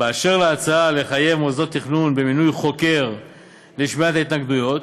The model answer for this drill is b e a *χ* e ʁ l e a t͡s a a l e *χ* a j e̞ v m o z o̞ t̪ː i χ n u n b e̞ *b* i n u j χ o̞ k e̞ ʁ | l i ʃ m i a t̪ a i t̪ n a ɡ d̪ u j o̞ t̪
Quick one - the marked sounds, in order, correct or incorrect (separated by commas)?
incorrect, correct, incorrect